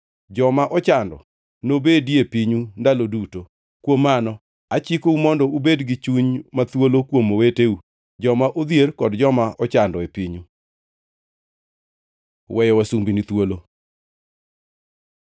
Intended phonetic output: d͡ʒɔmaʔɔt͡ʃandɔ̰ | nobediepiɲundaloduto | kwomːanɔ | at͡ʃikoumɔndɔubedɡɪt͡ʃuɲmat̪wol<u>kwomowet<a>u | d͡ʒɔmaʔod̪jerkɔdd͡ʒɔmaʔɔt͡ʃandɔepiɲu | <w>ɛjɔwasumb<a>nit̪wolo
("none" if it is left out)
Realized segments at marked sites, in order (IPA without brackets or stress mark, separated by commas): o, e, w, i